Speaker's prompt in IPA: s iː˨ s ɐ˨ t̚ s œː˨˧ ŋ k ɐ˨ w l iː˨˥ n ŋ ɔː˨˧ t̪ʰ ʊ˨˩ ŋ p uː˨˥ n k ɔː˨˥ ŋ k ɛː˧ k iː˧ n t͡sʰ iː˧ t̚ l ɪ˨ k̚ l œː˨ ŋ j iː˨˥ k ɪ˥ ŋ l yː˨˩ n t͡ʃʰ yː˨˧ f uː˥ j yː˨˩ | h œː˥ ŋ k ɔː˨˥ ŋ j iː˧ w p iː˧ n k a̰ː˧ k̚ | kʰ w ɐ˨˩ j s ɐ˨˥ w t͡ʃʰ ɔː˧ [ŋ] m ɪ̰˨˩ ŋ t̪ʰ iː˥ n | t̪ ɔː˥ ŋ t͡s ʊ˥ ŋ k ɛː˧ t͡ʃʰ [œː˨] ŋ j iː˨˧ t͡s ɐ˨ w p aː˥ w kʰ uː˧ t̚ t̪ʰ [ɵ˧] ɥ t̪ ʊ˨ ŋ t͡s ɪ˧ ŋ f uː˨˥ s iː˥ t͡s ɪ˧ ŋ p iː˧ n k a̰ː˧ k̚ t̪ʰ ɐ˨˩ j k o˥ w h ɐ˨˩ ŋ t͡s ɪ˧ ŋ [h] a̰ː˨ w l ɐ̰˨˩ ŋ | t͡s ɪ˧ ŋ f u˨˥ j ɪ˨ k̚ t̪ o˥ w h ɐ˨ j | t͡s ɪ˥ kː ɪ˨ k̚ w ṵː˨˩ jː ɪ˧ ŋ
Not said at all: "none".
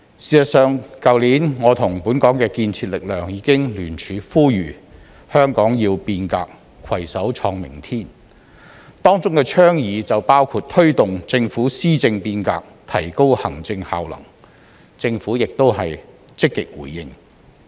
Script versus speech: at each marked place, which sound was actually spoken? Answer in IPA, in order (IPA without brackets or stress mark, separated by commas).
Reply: ŋ, œː˥, ɵ˥, h